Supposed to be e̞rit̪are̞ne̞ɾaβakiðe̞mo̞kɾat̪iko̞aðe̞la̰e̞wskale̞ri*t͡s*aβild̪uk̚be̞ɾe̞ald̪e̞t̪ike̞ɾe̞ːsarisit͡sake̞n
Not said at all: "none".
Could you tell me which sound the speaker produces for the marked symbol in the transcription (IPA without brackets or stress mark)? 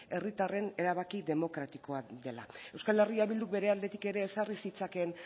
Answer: none